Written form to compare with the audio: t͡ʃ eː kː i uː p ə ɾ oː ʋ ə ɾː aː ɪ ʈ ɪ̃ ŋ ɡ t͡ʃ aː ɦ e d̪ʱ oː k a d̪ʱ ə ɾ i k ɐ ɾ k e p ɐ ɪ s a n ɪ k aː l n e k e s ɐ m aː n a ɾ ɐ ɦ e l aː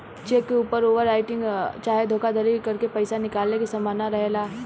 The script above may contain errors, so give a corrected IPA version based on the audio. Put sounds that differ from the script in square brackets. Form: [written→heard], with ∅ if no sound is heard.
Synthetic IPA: t͡ʃ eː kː [i→e] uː p ə ɾ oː ʋ ə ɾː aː ɪ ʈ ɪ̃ ŋ ɡ t͡ʃ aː ɦ e d̪ʱ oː k a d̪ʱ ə ɾ i k ɐ ɾ k e p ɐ ɪ s a n ɪ k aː l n e k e s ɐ m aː n a ɾ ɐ ɦ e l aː

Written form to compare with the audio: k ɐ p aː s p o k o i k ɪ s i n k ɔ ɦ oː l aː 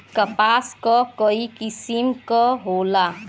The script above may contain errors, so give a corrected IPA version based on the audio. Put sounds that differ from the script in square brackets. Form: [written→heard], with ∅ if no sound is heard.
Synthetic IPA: k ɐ p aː s [p→k] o k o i k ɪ s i [n→m] k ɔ ɦ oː l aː

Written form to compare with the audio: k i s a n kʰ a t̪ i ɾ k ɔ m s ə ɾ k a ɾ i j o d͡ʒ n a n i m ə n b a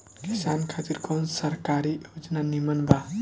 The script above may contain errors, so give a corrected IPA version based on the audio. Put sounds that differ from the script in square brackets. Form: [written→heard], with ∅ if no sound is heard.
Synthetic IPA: k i s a n kʰ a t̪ i ɾ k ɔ [m→n] s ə ɾ k a ɾ i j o d͡ʒ n a n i m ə n b a

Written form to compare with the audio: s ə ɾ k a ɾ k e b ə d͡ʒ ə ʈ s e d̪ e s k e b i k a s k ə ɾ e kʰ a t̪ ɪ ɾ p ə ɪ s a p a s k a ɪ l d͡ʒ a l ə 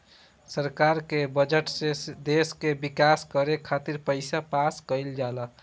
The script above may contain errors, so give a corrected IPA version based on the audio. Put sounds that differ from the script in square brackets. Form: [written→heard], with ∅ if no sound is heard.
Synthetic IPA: s ə ɾ k a ɾ k e b ə d͡ʒ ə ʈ s e d̪ e s k e b i k a s k ə ɾ e kʰ a t̪ [ɪ→i] ɾ p ə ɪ s a p a s k [a→ə] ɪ l d͡ʒ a l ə

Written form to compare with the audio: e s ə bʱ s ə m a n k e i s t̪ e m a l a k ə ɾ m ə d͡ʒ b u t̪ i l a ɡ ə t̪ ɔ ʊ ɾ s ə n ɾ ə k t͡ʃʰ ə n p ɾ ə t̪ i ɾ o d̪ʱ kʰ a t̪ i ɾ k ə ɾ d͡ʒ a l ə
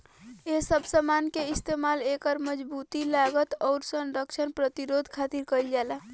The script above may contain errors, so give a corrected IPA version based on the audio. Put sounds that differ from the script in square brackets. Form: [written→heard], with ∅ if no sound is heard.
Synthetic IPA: e s ə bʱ s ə m a n k e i s t̪ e m a l [a→e] k ə ɾ m ə d͡ʒ b u t̪ i l a ɡ ə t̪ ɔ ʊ ɾ s ə n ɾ ə k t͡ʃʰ ə n p ɾ ə t̪ i ɾ o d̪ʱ kʰ a t̪ i ɾ k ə [ɾ→l] d͡ʒ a l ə

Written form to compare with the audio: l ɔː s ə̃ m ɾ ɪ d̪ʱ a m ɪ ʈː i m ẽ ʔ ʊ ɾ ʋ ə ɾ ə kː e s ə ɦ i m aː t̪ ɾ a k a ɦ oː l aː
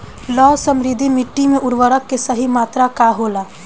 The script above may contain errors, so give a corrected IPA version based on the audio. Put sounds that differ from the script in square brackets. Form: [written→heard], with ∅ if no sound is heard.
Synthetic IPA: l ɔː s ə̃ m ɾ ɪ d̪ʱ [a→i] m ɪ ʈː i m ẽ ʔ ʊ ɾ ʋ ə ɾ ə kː e s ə ɦ i m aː t̪ ɾ a k a ɦ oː l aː

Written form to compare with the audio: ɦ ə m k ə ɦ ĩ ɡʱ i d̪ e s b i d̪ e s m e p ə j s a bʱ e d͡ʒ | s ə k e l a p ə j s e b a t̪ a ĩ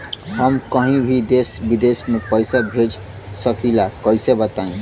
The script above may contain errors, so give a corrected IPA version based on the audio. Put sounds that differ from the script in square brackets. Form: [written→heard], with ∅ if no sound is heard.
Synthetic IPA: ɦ ə m k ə ɦ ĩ [ɡʱ→bʱ] i d̪ e s b i d̪ e s m e p ə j s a bʱ e d͡ʒ | s ə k [e→i] l a [p→k] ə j s e b [a→ə] t̪ a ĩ

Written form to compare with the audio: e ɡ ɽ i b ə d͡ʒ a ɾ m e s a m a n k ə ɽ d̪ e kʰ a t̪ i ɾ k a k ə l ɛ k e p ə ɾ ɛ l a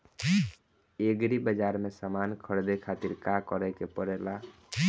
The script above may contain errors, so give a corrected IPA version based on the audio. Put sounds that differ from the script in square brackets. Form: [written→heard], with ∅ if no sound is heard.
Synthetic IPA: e ɡ [ɽ→ɾ] i b ə d͡ʒ a ɾ m e s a m a n [k→kʰ] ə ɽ d̪ e kʰ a t̪ i ɾ k a k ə [l→ɾ] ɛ k e p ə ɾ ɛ l a

